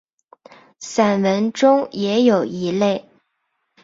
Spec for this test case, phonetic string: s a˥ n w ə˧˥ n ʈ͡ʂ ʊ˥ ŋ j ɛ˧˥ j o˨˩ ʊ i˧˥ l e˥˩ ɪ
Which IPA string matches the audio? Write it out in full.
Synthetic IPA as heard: s a˨˩ n w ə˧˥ n ʈ͡ʂ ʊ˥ ŋ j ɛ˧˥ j o˨˩ ʊ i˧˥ l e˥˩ ɪ